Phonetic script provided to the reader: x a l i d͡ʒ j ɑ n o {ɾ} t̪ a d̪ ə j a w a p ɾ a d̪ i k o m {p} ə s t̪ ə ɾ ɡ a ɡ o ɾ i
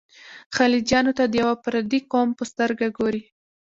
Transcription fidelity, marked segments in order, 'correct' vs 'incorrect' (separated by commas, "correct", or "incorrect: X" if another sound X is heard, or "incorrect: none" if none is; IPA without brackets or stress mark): incorrect: none, correct